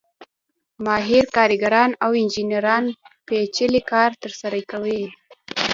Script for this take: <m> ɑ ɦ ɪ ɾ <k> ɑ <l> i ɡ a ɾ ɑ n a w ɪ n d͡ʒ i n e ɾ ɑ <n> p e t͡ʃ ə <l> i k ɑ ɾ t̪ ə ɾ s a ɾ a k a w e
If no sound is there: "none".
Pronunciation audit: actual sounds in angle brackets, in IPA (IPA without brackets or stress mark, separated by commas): m, k, ɾ, n, l